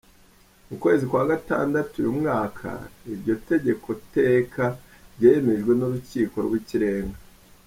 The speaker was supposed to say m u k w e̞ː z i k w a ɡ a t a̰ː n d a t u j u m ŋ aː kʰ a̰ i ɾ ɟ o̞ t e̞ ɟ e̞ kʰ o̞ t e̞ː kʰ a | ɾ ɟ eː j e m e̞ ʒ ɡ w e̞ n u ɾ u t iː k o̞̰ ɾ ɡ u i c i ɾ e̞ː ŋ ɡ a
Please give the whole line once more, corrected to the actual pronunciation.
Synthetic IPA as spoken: m u k w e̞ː z i k w a ɡ a t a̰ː n d a t u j u m ŋ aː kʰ a̰ i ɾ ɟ o̞ t e̞ ɟ e̞ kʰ o̞ t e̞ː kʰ a | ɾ ɟ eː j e m e̞ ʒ ɡ w e̞ n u ɾ u c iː k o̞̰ ɾ ɡ w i c i ɾ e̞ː ŋ ɡ a